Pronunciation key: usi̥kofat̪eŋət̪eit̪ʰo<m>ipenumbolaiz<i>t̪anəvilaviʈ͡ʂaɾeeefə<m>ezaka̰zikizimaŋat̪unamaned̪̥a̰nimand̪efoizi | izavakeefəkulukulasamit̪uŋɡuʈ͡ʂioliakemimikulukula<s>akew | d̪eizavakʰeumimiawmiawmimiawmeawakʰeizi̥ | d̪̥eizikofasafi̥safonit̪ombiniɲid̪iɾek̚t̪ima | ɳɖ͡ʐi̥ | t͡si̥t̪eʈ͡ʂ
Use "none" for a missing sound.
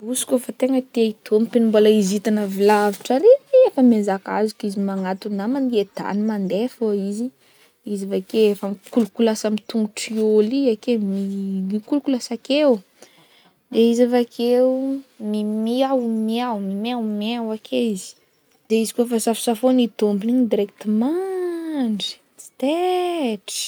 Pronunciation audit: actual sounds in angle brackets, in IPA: m, i, m, s

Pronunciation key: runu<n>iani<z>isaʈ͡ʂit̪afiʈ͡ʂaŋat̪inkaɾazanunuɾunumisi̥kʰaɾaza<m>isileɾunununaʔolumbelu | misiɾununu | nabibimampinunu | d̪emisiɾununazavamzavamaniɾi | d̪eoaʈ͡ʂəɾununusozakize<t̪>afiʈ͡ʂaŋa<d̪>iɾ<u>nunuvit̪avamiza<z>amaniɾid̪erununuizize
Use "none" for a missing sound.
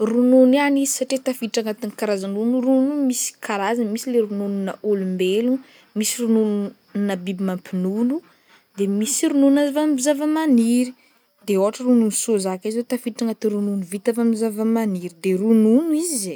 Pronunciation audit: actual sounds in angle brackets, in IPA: n, z, m, t̪, t̪, u, v

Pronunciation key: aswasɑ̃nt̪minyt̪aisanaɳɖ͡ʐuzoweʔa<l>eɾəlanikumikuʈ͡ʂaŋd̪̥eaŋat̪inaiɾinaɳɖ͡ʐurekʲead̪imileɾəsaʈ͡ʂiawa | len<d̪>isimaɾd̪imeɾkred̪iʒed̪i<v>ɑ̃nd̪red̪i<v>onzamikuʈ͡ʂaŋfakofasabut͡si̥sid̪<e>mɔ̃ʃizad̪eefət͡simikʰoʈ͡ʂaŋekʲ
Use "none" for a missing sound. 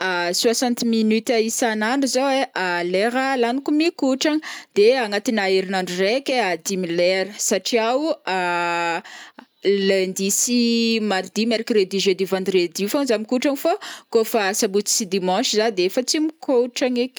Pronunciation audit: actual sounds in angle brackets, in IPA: l, d̪, v, f, i

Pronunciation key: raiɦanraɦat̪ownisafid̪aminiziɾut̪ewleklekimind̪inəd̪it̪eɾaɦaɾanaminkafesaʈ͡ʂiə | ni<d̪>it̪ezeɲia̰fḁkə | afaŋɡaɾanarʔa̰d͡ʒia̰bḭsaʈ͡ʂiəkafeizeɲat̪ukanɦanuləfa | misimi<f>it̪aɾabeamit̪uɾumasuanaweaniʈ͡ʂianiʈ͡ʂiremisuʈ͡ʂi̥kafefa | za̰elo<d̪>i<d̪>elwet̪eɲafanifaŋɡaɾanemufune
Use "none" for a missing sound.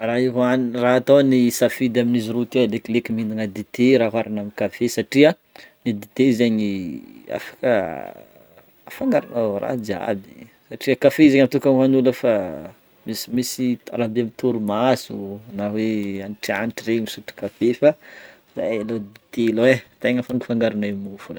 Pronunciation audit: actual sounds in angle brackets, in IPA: d̪, s, d̪, t̪

